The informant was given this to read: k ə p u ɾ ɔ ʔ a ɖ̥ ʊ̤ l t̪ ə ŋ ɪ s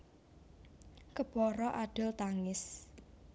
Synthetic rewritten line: k ə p ɔ ɾ ɔ ʔ a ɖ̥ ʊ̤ l t̪ a ŋ ɪ s

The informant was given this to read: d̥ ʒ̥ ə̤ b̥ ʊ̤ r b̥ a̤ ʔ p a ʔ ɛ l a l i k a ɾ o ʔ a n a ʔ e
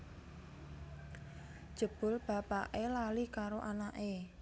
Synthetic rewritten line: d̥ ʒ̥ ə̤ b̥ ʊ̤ l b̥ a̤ p a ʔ e l a l i k a ɾ o ʔ a n a ʔ e

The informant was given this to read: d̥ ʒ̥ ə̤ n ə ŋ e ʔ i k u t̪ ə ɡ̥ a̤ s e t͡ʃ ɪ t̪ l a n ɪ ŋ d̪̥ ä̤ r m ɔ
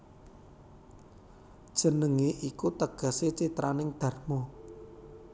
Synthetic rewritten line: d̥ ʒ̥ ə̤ n ə ŋ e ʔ i k u t̪ ə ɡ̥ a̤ s e t͡ʃ i t̪ ɾ a n ɪ ŋ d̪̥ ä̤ r m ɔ

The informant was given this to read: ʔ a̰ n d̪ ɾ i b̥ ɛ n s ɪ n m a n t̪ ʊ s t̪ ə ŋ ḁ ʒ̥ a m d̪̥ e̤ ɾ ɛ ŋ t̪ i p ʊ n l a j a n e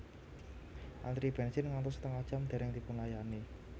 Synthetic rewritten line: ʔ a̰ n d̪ ɾ i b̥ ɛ n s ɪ n ŋ a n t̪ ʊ s t̪ ə ŋ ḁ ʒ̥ a m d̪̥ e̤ ɾ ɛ ŋ t̪ i p ʊ n l a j a n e

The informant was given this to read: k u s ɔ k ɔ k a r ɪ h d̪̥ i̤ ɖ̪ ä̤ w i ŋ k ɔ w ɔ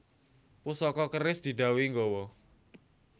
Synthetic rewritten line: p u s ɔ k ɔ k ə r ɪ s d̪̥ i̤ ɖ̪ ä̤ w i ŋ ɡ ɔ w ɔ

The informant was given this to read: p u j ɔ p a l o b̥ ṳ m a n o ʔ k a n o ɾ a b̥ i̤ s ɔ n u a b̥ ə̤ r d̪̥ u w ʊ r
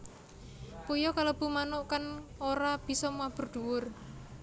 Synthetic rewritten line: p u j ɔ k a l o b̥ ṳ m a n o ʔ k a n o ɾ a b̥ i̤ s ɔ m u a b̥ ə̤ r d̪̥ u w ʊ r

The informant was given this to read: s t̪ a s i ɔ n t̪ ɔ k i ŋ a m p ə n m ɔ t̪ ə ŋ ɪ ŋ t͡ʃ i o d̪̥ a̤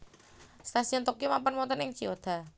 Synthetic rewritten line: s t̪ a s i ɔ n t̪ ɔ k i m a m p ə n m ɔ t̪ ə n ɪ ŋ t͡ʃ i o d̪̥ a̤

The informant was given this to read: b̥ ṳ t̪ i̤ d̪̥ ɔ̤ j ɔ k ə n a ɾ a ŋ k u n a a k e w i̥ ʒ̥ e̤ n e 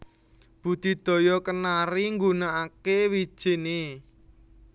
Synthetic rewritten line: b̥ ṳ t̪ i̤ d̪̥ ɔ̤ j ɔ k ə n a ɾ i ŋ ɡ u n a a k e w i̥ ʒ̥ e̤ n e

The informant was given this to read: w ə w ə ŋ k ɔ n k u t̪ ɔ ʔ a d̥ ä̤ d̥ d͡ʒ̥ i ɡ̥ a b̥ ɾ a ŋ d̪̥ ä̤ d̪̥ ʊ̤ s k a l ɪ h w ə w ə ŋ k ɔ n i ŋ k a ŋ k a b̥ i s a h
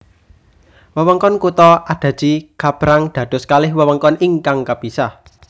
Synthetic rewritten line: w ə w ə ŋ k ɔ n k u t̪ ɔ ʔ a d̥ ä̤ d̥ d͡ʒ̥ i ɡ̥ a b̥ ɾ a ŋ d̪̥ ä̤ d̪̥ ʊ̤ s k a l ɪ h w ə w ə ŋ k ɔ n i ŋ k a ŋ k a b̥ i s a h

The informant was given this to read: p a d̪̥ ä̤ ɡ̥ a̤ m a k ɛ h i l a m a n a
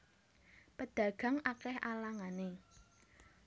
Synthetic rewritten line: p ə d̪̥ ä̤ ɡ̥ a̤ ŋ a k ɛ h a l a ŋ a n e

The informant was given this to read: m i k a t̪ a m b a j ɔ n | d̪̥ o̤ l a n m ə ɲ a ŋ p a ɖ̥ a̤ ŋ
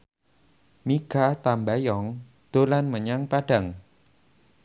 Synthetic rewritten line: m i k a t̪ a m b a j ɔ ŋ | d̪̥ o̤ l a n m ə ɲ a ŋ p a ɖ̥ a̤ ŋ

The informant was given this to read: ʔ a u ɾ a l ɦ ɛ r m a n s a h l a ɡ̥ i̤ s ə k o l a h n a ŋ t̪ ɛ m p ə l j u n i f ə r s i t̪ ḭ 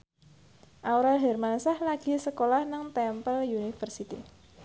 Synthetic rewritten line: ʔ a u ɾ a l ɦ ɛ r m a n s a h l a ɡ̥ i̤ s ə k o l a h n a ŋ t̪ ɛ m p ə l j u n i f ə r s i t̪ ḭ

